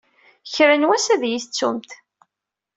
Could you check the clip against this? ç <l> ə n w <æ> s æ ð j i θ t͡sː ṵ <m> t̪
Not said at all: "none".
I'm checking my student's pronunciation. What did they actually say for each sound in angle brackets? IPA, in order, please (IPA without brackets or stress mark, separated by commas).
ɾ, æ, m